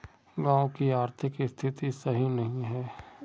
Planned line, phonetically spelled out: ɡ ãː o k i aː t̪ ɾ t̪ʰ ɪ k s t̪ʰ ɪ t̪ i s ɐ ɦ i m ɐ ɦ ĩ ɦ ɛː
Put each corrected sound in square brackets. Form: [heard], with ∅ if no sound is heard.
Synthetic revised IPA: ɡ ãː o k i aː [∅] ɾ t̪ʰ ɪ k s t̪ʰ ɪ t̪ i s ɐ ɦ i [n] ɐ ɦ ĩ ɦ ɛː